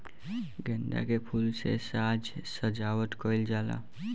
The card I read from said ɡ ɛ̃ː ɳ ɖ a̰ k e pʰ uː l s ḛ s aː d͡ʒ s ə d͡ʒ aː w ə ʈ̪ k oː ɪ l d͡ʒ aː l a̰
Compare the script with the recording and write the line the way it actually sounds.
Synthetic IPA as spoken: ɡ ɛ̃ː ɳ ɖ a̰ k e pʰ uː l s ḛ s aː d͡ʒ s ə d͡ʒ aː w ə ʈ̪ k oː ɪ l d͡ʒ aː l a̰